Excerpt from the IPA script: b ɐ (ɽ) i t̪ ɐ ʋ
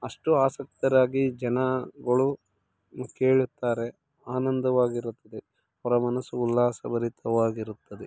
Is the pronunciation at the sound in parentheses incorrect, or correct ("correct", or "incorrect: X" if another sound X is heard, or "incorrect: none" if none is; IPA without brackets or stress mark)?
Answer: incorrect: ɾ